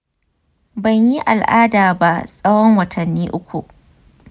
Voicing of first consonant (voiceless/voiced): voiced